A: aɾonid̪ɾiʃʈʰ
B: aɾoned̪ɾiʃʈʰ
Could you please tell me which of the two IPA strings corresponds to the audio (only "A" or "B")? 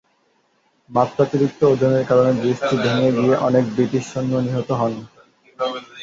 B